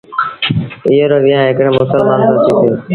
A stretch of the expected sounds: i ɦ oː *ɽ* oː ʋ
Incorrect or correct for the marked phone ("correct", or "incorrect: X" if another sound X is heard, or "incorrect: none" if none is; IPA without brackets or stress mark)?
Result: incorrect: ɾ